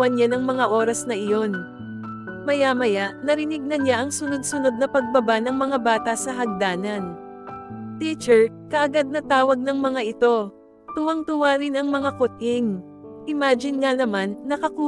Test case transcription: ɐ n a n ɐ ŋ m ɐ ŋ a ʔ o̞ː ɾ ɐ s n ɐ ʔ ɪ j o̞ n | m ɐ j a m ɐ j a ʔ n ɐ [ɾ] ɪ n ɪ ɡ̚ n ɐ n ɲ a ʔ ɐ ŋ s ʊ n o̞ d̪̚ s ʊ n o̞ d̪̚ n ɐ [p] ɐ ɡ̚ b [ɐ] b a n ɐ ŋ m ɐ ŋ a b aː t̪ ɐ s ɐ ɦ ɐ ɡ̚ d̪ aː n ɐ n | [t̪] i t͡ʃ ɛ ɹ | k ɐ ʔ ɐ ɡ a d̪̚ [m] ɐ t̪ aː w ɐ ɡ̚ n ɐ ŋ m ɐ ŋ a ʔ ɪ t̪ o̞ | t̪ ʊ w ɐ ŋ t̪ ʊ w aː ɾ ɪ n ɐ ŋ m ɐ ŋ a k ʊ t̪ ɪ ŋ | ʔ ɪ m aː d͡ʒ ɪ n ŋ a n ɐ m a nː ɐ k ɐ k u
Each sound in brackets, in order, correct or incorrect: correct, correct, correct, correct, incorrect: n

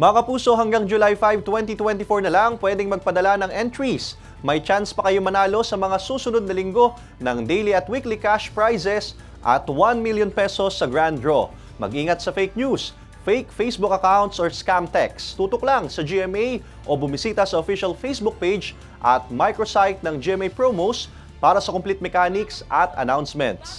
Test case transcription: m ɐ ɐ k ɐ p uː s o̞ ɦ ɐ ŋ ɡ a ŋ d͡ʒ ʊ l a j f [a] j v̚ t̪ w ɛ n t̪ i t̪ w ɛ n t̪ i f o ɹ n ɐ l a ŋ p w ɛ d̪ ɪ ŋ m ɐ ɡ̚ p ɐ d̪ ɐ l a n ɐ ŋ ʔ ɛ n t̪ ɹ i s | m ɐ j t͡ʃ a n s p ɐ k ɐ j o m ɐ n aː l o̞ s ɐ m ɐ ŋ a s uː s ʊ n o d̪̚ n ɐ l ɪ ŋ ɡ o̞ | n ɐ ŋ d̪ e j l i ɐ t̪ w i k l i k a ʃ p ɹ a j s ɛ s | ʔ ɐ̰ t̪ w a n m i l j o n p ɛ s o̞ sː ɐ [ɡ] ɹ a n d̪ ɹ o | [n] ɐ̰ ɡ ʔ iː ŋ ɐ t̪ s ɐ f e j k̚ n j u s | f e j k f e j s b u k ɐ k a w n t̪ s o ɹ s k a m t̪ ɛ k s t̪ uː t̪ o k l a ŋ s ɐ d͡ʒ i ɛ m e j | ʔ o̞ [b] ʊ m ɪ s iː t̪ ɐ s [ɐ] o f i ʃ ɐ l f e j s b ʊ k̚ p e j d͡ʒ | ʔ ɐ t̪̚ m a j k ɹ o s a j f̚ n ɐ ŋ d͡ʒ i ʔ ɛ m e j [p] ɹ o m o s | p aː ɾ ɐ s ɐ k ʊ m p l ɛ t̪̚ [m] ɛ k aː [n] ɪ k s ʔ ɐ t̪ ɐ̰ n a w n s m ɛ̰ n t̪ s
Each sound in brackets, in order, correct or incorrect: correct, correct, incorrect: m, correct, correct, correct, correct, correct

